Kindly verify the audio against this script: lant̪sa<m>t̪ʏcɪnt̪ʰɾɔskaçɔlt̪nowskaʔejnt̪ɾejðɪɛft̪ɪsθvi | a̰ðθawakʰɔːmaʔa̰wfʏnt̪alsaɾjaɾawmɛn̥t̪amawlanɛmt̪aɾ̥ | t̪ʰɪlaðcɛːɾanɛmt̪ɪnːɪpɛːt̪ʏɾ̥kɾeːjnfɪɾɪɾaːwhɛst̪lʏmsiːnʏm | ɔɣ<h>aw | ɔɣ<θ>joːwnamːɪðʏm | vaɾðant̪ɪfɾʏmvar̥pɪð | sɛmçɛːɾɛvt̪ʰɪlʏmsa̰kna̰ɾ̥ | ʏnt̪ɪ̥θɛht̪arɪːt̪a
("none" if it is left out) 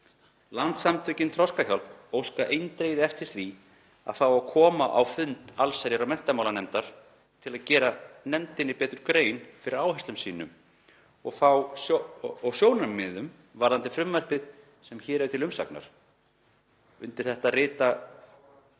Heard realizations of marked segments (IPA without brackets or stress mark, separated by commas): m, θ, s